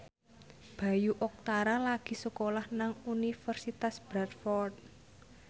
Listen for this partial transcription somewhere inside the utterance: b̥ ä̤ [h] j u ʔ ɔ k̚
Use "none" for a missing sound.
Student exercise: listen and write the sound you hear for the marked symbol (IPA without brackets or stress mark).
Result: none